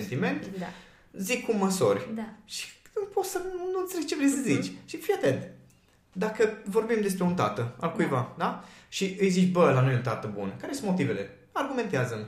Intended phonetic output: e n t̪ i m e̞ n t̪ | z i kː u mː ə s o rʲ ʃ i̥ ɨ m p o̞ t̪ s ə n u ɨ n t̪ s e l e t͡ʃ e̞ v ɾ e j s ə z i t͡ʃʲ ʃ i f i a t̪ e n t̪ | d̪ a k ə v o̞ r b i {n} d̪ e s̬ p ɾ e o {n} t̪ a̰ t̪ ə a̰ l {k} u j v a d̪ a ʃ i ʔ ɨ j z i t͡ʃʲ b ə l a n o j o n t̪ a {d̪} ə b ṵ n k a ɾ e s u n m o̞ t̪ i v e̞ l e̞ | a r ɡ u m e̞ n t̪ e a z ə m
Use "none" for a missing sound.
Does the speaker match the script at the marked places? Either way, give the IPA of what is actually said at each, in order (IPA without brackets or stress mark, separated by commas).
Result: m, n, k, t̪